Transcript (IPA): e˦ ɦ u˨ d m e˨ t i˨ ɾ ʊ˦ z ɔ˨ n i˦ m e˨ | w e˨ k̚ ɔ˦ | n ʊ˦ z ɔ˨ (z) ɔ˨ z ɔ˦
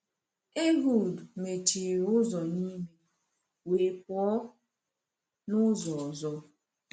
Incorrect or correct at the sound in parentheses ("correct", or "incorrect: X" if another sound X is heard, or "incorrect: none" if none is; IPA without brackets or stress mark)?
incorrect: none